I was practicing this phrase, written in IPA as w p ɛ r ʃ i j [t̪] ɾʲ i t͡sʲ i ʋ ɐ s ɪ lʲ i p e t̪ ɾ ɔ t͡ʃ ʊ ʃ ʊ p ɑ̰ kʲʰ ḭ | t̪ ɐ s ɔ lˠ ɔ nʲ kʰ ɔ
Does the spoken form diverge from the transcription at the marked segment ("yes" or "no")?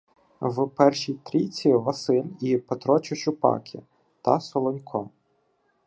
no